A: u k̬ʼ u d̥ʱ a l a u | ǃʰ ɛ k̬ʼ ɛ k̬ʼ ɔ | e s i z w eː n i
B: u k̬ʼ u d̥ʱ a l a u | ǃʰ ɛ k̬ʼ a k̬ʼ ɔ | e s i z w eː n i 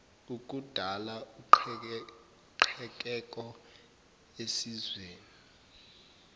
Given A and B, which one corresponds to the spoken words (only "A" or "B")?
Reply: A